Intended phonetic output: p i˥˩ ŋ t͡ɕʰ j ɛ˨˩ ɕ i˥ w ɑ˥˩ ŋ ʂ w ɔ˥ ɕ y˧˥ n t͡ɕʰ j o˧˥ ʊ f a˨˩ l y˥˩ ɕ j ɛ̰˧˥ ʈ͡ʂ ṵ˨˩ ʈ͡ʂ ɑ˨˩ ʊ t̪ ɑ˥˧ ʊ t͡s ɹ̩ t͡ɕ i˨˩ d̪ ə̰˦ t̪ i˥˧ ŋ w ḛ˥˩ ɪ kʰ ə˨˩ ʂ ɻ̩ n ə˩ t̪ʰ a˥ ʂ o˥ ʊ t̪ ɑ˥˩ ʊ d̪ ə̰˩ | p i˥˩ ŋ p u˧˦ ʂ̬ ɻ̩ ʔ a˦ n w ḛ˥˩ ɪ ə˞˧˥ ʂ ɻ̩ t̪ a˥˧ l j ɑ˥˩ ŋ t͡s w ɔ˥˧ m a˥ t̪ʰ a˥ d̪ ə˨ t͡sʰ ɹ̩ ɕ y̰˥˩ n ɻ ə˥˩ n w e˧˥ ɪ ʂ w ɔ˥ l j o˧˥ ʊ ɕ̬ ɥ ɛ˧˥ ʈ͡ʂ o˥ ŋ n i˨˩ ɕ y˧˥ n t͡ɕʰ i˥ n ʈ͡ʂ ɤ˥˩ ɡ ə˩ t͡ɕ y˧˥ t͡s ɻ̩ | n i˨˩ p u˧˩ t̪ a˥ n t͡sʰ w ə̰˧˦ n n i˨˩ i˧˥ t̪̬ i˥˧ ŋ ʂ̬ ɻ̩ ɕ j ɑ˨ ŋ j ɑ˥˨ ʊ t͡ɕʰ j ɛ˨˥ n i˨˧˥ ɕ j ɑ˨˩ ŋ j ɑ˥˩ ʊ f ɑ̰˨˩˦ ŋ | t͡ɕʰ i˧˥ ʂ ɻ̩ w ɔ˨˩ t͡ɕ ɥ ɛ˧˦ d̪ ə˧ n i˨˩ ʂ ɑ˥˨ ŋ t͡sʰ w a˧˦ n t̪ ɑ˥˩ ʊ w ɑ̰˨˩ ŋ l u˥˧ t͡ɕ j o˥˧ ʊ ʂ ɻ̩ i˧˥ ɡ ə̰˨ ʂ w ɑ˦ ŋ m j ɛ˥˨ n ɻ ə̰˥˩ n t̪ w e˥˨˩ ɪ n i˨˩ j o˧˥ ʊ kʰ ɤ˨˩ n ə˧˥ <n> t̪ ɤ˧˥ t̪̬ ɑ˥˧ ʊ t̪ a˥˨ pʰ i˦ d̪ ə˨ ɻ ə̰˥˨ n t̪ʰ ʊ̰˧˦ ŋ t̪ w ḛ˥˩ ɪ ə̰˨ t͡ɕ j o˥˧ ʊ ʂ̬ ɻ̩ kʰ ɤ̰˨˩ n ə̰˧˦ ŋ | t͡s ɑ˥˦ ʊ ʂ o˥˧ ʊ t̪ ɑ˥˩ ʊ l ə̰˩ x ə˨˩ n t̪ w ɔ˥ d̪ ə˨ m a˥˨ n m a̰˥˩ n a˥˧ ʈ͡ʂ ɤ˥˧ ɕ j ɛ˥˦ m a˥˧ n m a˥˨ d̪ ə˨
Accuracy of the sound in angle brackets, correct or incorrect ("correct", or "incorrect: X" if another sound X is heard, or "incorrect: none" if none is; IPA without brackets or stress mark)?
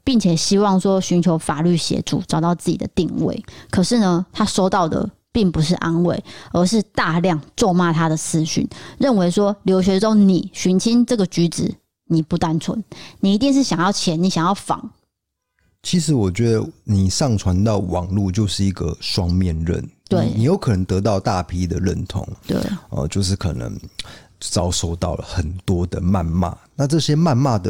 incorrect: ŋ